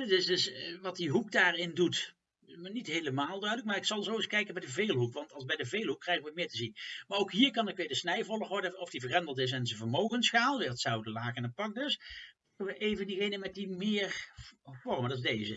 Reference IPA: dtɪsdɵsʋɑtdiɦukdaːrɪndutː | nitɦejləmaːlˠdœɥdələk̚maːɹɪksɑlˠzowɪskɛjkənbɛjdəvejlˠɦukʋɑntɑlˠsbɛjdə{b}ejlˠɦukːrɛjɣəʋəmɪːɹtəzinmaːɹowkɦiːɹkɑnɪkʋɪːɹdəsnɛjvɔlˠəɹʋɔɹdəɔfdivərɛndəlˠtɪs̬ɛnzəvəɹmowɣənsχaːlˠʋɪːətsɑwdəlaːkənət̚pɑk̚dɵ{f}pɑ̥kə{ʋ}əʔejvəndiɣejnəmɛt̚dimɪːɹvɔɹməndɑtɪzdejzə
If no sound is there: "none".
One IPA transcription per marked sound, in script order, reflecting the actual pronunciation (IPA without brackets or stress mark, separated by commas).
v, s, ʋ